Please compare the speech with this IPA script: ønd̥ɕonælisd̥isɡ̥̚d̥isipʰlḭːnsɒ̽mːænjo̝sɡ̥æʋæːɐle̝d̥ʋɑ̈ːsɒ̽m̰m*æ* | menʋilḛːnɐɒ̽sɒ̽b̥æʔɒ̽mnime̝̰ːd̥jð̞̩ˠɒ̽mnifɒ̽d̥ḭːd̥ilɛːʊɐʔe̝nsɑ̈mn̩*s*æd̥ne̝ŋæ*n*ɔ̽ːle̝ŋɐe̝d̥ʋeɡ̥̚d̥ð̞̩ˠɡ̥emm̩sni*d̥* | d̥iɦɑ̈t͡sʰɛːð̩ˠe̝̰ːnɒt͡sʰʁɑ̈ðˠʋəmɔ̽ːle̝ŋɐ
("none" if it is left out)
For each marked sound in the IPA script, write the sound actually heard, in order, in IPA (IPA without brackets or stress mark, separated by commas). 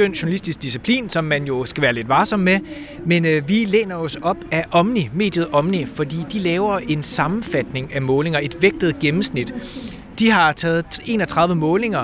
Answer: e, f, m, d̥